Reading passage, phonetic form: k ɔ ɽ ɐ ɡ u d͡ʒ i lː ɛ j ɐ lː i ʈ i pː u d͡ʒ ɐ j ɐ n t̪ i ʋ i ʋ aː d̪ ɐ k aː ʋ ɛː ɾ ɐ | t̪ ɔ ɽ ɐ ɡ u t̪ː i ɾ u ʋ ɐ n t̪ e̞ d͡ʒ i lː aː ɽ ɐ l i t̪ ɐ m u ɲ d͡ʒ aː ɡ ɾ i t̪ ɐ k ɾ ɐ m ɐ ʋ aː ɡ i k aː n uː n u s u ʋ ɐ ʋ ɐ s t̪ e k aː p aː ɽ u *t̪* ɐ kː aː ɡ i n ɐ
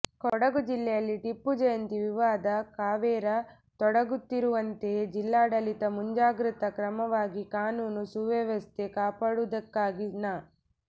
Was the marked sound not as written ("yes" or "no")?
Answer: yes